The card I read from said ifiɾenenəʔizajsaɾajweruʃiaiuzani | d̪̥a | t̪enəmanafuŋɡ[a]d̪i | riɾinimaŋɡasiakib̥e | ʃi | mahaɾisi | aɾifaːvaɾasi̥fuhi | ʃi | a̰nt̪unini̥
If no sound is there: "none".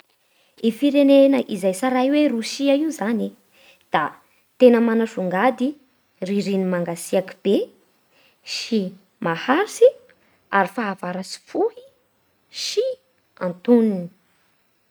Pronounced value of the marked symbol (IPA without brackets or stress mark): a